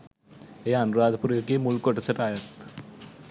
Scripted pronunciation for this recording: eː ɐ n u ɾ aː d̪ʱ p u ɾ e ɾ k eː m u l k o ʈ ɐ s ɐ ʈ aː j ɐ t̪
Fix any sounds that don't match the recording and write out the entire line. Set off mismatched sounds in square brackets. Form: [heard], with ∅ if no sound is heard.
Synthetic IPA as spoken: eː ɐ n u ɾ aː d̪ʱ p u ɾ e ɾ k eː m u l k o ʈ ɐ s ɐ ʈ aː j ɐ t̪